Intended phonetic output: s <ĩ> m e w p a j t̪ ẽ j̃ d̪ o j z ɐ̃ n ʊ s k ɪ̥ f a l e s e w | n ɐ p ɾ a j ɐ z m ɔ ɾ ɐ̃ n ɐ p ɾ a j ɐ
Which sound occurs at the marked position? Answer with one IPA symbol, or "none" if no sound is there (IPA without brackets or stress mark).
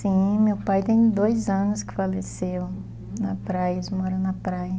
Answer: ĩ